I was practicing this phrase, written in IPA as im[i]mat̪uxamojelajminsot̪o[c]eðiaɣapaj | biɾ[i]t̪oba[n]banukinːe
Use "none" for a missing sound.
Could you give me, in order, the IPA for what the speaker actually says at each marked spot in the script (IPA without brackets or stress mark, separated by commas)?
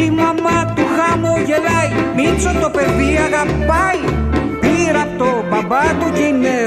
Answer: a, p, a, none